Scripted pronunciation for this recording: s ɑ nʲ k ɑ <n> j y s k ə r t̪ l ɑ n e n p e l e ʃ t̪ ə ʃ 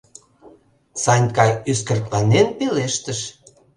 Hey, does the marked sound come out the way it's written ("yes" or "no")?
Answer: no